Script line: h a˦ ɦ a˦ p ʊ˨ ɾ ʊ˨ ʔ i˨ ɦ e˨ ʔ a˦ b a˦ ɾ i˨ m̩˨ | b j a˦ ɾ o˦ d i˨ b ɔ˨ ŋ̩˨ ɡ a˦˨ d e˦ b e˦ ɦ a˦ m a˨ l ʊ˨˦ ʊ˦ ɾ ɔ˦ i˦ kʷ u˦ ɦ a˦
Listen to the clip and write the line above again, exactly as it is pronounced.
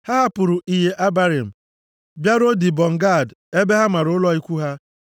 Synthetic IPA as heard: h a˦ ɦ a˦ p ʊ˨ ɾ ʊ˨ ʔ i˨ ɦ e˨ ʔ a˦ b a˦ ɾ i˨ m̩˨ | b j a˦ ɾ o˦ d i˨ b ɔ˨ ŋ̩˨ ɡ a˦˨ d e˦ b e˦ ɦ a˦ m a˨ ɾ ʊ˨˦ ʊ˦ l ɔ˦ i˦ kʷ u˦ ɦ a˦